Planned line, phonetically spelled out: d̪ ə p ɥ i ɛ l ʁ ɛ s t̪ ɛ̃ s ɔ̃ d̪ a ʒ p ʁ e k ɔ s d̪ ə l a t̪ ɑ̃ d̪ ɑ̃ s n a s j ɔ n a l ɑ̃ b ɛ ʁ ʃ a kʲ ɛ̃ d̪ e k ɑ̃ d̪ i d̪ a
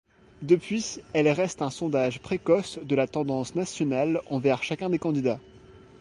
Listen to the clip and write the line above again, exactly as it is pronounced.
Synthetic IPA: d̪ ə p ɥ i ɛ l ʁ ɛ s t̪ ɛ̃ s ɔ̃ d̪ a ʒ p χ e k ɔ s d̪ ə l a t̪ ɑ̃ d̪ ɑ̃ s n a s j ɔ n a l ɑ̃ v ɛ ʁ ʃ a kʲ ɛ̃ d̪ e k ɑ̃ d̪ i d̪ a